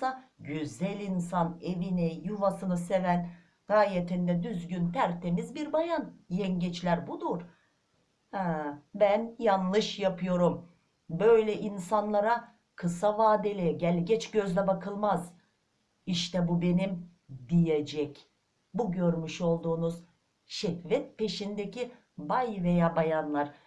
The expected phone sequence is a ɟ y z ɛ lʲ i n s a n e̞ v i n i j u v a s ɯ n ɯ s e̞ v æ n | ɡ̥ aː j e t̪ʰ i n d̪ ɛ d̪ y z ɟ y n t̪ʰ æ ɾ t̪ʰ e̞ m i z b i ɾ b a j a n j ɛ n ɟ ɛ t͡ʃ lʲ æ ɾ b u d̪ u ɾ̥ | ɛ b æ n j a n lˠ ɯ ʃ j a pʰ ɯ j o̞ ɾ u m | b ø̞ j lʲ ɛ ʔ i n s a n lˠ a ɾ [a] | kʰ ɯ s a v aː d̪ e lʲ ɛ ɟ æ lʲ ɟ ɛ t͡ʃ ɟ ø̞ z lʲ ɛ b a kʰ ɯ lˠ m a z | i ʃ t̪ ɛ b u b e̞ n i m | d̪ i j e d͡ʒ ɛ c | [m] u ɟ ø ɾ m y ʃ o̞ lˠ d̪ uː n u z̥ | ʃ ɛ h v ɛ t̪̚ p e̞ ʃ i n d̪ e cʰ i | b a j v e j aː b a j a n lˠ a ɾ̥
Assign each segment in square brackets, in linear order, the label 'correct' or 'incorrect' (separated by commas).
correct, incorrect